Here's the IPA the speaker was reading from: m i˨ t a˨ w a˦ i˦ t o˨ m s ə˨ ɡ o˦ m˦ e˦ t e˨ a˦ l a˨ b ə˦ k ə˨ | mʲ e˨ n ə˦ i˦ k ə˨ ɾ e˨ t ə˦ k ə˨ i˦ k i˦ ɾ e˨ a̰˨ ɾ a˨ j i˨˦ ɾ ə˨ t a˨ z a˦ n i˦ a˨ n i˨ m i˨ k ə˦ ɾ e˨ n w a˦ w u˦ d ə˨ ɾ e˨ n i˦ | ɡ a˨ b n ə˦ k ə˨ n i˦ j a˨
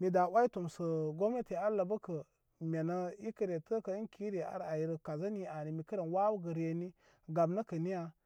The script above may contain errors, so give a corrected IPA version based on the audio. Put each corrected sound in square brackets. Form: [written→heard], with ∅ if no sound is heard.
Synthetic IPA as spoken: m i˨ [t→d] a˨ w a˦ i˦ t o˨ m s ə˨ ɡ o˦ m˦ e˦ t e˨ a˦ l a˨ b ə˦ k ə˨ | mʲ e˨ n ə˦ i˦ k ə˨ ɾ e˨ t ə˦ k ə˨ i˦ k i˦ ɾ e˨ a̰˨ ɾ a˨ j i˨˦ ɾ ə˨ [t→k] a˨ z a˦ n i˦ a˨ n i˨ m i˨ k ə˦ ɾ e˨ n w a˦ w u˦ [d→ɡ] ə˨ ɾ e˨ n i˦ | ɡ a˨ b n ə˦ k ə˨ n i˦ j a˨